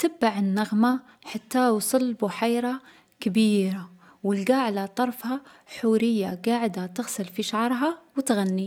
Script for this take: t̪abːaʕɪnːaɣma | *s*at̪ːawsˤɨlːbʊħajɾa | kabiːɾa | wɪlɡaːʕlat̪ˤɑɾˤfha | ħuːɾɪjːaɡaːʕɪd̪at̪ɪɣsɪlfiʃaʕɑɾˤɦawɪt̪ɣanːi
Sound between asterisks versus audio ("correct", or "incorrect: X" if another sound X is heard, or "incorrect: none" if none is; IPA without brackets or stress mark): incorrect: ħ